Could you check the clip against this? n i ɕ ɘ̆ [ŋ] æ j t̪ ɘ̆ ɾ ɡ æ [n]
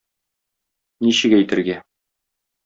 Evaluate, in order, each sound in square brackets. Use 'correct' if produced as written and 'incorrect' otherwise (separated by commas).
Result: incorrect, incorrect